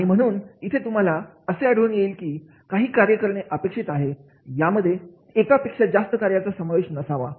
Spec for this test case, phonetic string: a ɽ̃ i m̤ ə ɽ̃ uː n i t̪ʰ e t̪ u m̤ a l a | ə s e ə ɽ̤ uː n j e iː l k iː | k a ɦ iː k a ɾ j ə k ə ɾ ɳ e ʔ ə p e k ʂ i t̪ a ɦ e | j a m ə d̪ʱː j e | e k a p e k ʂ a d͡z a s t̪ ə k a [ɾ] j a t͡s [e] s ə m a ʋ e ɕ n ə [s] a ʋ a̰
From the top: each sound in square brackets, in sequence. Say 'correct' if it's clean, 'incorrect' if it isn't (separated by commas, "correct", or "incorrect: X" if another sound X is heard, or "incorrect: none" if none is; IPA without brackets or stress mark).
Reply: correct, incorrect: a, correct